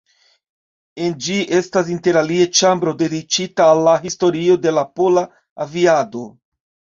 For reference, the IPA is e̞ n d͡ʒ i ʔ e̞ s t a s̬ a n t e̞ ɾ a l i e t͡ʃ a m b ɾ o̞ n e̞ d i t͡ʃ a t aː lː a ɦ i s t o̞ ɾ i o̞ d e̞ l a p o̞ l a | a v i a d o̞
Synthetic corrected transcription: e̞ n d͡ʒ i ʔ e̞ s t a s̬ i n t e̞ ɾ a l i e t͡ʃ a m b ɾ o̞ d e̞ d i t͡ʃ i t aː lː a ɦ i s t o̞ ɾ i o̞ d e̞ l a p o̞ l a | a v i a d o̞